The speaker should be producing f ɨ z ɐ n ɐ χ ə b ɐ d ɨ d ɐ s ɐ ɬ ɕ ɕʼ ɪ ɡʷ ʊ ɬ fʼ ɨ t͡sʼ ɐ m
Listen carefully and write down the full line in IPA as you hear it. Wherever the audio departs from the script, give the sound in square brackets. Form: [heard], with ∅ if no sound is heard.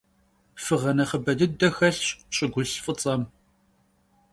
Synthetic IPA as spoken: f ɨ [ʁ] ɐ n ɐ χ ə b ɐ d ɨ d ɐ [x] ɐ ɬ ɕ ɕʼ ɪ ɡʷ ʊ ɬ fʼ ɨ t͡sʼ ɐ m